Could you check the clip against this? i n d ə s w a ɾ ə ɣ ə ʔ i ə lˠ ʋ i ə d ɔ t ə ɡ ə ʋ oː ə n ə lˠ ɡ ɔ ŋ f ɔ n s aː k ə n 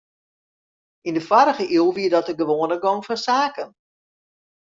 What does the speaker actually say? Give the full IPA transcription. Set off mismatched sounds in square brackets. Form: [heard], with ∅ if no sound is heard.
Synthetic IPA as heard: i n d ə [f] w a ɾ ə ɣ ə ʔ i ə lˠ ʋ i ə d ɔ t ə ɡ ə ʋ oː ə n ə [∅] ɡ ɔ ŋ f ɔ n s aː k ə n